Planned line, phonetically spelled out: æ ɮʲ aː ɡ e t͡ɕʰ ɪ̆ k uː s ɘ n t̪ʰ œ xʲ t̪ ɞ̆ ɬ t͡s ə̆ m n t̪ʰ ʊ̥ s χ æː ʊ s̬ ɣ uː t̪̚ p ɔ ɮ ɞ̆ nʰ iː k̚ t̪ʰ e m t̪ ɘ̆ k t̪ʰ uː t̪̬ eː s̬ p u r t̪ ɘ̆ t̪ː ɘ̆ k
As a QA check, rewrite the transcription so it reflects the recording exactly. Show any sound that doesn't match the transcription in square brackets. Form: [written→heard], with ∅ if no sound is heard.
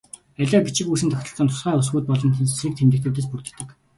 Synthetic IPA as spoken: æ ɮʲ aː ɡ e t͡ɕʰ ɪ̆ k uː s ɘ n t̪ʰ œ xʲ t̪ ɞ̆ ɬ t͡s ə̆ [m→∅] n t̪ʰ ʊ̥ s χ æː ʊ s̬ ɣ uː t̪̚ p ɔ ɮ ɞ̆ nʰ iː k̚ t̪ʰ e m t̪ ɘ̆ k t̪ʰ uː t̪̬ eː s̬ p u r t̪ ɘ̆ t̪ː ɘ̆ k